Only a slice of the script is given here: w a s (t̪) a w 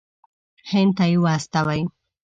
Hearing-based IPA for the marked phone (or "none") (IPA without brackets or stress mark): t̪